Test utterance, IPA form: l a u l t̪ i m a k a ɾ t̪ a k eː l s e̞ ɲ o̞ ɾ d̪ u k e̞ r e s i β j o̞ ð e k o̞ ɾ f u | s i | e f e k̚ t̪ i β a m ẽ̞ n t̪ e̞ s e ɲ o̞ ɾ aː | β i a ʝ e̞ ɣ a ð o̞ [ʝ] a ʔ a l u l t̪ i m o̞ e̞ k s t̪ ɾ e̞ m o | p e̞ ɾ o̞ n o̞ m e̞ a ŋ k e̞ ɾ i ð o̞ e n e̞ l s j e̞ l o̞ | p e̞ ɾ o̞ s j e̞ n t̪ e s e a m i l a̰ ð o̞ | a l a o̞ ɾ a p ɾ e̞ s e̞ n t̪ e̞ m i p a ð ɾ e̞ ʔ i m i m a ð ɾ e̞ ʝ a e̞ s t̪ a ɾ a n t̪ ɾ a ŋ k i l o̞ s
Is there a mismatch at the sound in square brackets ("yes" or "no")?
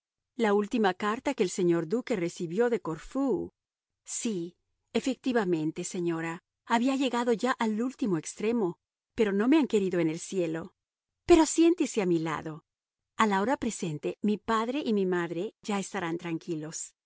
no